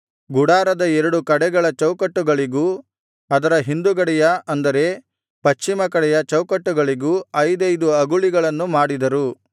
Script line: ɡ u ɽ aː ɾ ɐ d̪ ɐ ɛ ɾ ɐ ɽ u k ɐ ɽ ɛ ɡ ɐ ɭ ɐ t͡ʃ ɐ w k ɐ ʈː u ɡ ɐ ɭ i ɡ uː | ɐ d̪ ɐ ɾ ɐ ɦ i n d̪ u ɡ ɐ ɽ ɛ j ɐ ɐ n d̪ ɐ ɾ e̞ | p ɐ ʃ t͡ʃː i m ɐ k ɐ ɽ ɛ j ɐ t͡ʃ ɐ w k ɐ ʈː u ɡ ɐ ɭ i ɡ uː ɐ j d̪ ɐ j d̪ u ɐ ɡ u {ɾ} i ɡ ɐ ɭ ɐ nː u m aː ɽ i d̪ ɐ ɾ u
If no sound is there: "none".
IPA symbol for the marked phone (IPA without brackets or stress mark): ɭ